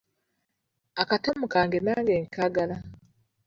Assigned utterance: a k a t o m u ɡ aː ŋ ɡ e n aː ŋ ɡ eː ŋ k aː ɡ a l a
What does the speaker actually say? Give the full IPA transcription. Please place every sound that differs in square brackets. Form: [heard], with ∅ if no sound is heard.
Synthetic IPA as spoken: a k a t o m u [k] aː ŋ ɡ e n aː ŋ ɡ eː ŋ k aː ɡ a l a